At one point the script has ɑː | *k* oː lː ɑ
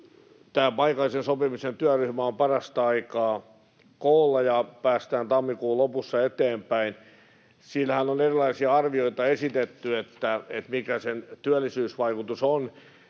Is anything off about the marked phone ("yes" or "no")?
no